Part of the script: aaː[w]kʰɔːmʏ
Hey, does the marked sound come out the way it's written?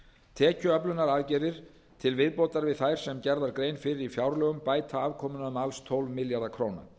no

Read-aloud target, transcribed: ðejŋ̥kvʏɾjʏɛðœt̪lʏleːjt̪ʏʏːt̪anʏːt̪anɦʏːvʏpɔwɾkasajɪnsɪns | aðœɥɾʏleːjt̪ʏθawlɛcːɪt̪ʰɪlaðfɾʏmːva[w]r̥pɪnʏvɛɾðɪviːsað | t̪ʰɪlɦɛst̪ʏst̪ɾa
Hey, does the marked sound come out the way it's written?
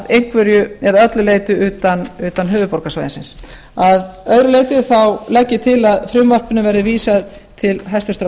no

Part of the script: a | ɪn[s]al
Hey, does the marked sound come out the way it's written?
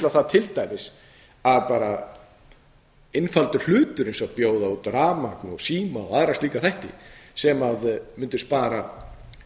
no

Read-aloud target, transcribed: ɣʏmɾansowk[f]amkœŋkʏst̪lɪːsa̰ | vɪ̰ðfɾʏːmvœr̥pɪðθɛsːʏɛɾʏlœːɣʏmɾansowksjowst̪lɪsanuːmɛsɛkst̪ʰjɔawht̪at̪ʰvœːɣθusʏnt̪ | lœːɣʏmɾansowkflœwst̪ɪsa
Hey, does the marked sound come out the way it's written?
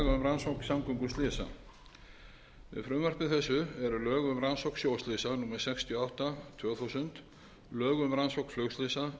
no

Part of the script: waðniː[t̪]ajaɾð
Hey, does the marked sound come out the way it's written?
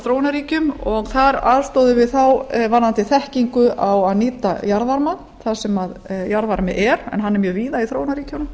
yes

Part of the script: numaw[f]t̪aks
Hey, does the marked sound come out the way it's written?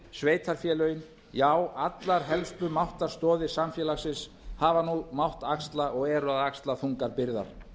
no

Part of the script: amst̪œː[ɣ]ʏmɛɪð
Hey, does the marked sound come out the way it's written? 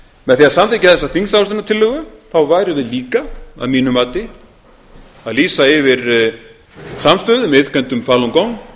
no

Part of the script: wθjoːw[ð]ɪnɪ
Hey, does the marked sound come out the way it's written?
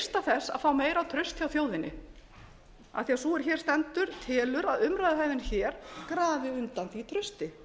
yes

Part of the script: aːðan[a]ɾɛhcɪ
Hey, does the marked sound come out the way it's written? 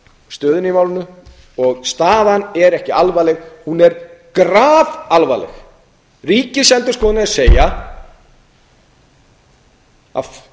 no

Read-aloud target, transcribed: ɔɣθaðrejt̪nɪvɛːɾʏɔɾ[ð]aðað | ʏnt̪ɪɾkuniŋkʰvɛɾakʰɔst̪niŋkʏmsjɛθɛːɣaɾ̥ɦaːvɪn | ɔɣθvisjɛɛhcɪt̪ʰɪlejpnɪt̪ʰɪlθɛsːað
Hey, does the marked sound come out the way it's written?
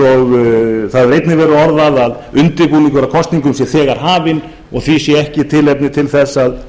yes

